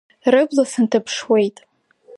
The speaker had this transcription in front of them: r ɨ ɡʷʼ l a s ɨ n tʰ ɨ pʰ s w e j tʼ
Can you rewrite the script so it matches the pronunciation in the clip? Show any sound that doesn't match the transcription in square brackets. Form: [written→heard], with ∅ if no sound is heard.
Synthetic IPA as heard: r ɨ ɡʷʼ l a s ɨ n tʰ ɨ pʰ [s→ʂ] w e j tʼ